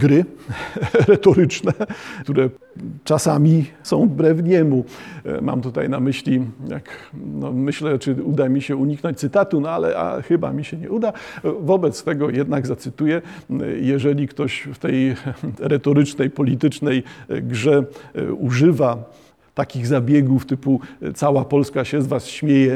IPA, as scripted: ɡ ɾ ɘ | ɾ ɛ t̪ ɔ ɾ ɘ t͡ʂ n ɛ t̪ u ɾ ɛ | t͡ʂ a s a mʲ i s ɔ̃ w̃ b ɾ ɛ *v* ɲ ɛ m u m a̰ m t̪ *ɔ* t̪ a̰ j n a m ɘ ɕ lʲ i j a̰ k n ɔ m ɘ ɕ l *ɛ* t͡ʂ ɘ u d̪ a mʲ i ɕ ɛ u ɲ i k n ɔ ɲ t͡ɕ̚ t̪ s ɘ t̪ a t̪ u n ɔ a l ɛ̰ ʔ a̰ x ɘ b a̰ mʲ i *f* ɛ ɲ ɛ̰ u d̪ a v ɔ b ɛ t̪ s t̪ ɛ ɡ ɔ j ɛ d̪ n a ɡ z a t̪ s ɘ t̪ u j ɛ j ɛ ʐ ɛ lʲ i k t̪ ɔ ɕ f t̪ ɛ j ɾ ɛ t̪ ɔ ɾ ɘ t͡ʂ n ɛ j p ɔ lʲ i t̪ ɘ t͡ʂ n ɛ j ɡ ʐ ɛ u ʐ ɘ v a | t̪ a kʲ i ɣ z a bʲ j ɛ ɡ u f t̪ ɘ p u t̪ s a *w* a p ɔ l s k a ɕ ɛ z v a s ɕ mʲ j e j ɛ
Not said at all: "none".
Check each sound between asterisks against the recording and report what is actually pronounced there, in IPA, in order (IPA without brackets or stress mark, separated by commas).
v, u, ɛ, ɕ, w